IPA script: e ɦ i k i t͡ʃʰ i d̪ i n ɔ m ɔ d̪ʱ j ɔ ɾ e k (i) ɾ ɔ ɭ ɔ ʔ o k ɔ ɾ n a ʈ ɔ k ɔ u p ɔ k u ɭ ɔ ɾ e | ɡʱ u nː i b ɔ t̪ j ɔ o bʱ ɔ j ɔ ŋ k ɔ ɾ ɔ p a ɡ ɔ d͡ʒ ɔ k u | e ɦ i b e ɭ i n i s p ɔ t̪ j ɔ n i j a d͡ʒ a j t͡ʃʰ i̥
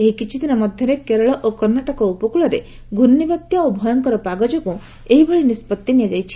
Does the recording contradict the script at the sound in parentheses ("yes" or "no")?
yes